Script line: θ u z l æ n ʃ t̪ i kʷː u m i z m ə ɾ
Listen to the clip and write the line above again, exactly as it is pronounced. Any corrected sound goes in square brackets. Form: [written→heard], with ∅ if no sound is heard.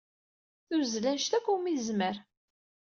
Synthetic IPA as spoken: θ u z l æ n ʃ t̪ [i→æ] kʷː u m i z m ə ɾ